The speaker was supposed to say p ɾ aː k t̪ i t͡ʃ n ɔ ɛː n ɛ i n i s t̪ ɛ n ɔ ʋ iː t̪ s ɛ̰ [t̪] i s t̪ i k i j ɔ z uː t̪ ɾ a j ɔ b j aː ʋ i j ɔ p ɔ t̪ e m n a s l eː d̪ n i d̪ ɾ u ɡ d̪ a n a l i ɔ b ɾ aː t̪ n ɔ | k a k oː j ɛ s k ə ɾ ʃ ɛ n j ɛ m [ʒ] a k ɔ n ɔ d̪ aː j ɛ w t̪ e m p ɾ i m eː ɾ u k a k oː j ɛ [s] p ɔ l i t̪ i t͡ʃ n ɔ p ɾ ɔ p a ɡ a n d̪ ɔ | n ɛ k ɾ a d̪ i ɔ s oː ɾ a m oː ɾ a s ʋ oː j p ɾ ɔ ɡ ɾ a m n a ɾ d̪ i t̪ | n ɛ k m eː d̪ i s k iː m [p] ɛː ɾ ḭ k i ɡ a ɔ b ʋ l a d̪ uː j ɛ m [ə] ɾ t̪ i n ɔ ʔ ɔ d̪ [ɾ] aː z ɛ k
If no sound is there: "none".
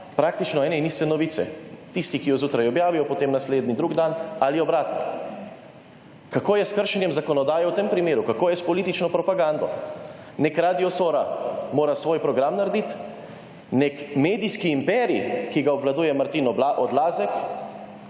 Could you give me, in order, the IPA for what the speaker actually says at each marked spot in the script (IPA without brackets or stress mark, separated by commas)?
t̪, z, s, p, a, l